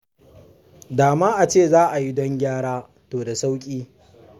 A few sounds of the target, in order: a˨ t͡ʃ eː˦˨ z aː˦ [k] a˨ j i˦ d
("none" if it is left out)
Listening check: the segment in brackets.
ʔ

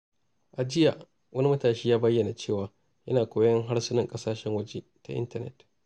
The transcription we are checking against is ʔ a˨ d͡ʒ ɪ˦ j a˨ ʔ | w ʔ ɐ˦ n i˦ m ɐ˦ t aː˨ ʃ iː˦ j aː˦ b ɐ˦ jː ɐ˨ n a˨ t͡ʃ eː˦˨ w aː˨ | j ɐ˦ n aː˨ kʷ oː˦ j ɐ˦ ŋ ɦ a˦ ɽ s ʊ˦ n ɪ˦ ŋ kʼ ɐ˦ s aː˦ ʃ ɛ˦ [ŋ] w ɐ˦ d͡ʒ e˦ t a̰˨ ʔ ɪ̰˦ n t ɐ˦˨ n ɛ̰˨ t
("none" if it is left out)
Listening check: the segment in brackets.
ŋ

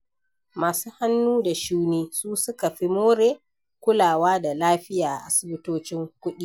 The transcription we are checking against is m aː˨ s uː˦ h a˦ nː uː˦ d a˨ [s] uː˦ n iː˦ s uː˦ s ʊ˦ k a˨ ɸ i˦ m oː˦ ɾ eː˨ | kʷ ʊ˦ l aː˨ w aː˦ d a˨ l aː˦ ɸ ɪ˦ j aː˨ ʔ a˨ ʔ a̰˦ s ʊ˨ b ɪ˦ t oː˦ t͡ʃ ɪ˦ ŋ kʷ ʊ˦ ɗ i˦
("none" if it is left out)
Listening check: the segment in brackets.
ʃ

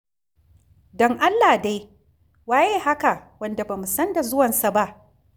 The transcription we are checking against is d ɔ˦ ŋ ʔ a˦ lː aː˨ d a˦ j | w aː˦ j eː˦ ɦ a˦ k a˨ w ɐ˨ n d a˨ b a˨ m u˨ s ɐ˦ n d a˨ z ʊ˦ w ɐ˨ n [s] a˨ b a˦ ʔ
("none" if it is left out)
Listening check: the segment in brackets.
s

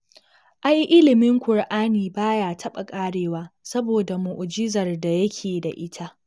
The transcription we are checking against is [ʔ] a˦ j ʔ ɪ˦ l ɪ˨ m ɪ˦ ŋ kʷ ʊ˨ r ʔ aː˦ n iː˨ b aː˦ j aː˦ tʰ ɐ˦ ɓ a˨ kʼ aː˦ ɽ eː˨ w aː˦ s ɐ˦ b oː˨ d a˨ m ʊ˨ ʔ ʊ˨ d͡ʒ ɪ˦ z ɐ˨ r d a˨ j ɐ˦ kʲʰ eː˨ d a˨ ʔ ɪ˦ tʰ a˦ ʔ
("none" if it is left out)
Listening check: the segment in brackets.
ʔ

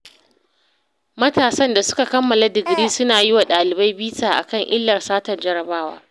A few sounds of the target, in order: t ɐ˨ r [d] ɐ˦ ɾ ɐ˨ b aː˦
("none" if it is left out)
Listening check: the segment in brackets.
d͡ʒ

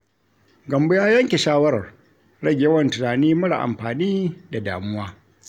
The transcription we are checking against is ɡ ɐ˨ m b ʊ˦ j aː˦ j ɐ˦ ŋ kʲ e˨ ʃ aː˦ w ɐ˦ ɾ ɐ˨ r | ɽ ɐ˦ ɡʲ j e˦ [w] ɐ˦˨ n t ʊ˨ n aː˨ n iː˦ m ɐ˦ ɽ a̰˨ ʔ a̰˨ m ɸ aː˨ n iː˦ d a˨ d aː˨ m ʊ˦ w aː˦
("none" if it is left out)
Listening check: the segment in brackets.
w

